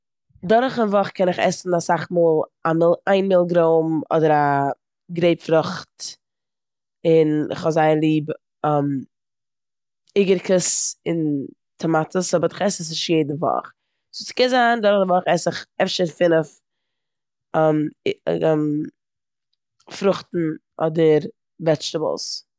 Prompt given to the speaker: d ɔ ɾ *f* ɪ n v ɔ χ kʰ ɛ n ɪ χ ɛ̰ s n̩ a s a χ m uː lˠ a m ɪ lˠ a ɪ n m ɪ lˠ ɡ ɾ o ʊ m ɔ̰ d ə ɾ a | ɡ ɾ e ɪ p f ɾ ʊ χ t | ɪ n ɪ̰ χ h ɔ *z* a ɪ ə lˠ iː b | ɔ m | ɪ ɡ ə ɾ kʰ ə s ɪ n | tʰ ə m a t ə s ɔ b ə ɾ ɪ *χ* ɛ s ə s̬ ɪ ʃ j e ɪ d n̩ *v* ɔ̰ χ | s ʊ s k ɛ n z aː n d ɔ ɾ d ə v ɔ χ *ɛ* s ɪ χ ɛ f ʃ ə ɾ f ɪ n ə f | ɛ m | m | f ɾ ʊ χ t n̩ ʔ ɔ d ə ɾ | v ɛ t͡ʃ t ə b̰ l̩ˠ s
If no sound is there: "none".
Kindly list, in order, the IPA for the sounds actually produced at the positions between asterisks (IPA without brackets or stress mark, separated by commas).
χ, z, χ, v, ɛ